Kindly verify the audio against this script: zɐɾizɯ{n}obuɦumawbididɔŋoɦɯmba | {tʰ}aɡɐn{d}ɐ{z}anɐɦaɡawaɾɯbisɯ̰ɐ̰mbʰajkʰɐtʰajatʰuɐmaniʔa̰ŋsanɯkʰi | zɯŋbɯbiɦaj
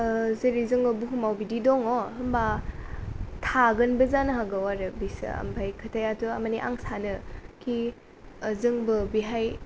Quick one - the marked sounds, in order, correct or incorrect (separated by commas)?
incorrect, correct, incorrect, correct